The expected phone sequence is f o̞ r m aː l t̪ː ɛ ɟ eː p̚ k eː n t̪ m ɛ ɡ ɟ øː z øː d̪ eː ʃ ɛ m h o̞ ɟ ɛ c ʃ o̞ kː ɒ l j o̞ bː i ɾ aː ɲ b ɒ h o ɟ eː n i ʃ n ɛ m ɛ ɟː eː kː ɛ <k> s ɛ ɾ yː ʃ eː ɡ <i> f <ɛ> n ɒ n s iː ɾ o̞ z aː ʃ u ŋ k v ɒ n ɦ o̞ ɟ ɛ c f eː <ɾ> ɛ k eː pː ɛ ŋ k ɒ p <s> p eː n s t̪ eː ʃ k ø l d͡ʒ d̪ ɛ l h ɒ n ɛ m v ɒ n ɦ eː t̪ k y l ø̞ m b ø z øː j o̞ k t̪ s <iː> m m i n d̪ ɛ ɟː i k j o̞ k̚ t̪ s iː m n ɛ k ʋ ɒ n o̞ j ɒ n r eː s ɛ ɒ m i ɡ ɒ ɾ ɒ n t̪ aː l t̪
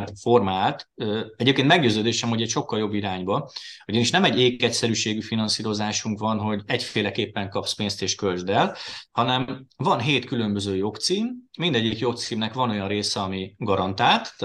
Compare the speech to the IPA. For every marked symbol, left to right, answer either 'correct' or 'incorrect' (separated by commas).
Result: incorrect, incorrect, incorrect, incorrect, correct, correct